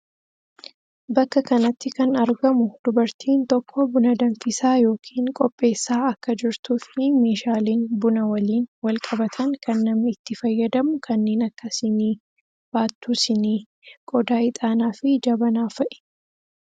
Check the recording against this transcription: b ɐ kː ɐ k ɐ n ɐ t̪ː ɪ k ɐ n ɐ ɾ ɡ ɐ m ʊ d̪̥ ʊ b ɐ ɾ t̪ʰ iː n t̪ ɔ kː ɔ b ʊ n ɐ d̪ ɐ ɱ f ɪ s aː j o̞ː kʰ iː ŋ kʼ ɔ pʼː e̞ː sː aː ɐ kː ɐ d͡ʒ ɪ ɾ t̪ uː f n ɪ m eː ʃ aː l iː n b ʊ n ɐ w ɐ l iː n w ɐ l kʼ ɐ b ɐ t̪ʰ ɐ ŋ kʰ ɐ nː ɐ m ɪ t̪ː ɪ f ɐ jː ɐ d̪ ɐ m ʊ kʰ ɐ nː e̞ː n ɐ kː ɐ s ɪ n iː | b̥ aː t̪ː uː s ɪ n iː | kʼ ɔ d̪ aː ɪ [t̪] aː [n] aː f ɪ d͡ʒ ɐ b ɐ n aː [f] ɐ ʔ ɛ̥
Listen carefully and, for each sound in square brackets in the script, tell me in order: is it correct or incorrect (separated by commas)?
incorrect, correct, correct